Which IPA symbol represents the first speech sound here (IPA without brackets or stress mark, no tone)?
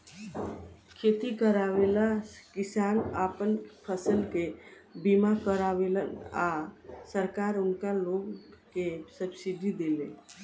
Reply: kʰ